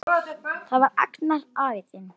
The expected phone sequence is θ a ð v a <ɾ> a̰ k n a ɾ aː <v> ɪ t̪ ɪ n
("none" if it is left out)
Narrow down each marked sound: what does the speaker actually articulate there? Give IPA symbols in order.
ɾ, v

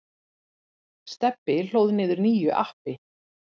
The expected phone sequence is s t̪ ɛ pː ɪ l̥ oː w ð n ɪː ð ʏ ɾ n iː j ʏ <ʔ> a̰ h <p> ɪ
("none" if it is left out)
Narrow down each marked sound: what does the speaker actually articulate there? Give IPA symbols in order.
ʔ, p

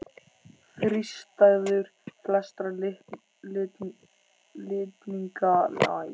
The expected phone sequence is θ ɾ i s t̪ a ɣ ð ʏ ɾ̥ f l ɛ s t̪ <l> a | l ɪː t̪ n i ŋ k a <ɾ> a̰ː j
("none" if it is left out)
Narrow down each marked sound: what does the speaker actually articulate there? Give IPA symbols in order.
ɾ, l

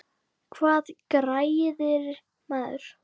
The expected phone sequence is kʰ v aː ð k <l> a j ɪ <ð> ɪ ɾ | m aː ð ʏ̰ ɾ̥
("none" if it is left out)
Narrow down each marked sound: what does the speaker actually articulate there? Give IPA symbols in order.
ɾ, ð

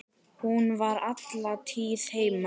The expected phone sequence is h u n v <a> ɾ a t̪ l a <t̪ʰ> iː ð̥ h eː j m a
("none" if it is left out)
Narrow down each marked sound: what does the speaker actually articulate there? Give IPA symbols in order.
a, t̪ʰ

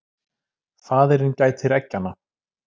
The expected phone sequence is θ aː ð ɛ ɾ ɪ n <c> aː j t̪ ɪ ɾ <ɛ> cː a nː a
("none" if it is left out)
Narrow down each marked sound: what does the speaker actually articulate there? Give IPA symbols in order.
c, ɛ

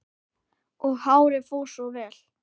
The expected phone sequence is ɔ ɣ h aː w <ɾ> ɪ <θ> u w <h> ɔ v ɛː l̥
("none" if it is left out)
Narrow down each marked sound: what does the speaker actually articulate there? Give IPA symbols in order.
ɾ, f, s

